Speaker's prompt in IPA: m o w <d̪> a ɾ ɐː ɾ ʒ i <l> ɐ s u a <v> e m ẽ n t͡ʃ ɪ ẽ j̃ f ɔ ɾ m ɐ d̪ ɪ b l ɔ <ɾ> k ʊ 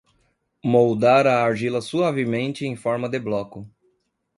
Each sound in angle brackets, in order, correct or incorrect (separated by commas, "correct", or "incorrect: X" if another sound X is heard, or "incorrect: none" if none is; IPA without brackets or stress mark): correct, correct, correct, incorrect: none